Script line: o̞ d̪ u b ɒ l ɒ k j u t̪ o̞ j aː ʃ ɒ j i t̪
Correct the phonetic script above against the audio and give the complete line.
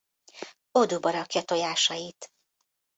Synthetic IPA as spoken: o̞ d̪ u b ɒ ɾ ɒ k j ɒ t̪ o̞ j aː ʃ ɒ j i t̪